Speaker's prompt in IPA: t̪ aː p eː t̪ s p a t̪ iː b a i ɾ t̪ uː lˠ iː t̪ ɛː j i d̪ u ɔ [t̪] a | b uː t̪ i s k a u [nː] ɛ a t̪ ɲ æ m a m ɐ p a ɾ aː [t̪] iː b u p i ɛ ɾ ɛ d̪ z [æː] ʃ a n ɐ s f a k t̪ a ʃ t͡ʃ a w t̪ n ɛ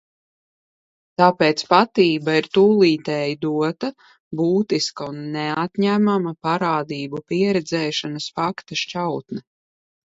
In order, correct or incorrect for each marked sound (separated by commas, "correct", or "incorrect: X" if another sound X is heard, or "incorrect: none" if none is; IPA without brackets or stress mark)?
correct, correct, incorrect: d̪, incorrect: ɛː